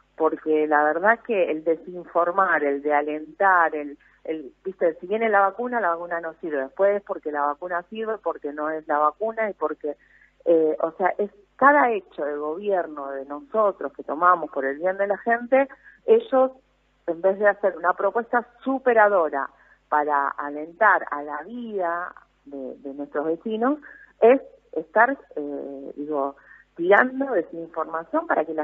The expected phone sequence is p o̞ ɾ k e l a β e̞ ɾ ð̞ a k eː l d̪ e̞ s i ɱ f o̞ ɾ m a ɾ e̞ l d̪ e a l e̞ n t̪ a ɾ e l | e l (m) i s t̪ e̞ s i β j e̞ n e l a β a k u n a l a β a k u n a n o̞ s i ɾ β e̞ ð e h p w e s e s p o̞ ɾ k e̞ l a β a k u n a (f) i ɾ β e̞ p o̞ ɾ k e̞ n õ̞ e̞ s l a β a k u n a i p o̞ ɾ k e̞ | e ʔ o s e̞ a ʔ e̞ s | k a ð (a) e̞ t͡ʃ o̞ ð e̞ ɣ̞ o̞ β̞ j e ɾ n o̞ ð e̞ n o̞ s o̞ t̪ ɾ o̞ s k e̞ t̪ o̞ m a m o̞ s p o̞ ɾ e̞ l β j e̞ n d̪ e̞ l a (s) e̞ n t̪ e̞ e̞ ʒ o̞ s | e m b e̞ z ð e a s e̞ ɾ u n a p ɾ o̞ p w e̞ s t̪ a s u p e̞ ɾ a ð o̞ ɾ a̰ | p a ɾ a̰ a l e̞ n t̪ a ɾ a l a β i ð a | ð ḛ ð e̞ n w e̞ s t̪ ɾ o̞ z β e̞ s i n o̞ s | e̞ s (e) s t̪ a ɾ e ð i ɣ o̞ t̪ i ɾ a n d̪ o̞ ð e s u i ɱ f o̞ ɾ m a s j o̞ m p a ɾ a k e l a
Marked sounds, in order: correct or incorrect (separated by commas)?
incorrect, incorrect, correct, incorrect, correct